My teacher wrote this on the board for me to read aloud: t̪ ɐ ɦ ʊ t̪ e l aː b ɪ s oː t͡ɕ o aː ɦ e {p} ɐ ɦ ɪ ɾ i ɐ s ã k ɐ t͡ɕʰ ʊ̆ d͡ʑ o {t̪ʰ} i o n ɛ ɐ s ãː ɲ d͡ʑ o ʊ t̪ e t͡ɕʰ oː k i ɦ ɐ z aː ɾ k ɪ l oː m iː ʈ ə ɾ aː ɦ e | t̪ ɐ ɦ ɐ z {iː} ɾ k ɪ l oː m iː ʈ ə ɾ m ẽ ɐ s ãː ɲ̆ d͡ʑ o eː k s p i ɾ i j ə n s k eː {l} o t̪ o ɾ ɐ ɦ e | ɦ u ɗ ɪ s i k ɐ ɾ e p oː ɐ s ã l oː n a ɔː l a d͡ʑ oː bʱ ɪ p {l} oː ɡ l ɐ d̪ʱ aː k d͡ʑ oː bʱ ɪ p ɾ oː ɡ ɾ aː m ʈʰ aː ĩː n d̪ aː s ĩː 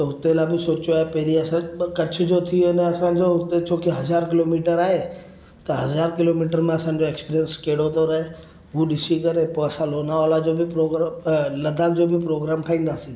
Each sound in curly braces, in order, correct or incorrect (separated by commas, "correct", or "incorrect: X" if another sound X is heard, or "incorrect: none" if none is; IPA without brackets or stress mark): correct, correct, incorrect: aː, incorrect: ɽ, incorrect: ɾ